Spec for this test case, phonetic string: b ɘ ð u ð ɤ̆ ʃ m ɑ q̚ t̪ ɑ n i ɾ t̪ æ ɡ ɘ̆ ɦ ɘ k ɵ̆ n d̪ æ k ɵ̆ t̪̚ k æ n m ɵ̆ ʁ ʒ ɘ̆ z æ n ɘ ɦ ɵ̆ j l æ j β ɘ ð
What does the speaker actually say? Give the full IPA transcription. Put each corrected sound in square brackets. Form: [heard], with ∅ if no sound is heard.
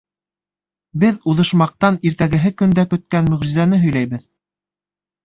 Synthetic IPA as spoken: b ɘ ð u ð ɤ̆ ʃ m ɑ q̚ t̪ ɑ n i ɾ t̪ æ ɡ ɘ̆ ɦ ɘ k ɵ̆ n d̪ æ k ɵ̆ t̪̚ k æ n m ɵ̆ ʁ ʒ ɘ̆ z æ n ɘ ɦ ɵ̆ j l æ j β ɘ ð